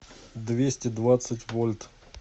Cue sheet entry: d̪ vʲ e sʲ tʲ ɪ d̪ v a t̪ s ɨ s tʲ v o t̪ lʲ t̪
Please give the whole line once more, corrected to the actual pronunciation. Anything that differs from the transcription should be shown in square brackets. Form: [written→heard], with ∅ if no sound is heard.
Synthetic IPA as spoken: d̪ vʲ e sʲ tʲ ɪ d̪ v a t̪ s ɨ [s→∅] tʲ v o [t̪→∅] lʲ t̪